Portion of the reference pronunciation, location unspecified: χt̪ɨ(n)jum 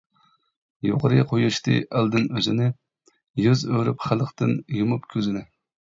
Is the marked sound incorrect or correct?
correct